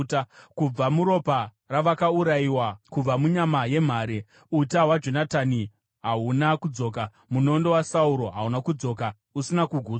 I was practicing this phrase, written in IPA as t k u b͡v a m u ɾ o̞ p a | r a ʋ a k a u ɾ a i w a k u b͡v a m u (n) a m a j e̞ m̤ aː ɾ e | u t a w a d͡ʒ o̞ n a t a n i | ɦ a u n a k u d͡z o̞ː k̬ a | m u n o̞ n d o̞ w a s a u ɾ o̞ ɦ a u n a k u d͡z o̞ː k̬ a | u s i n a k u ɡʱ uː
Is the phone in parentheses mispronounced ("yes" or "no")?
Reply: yes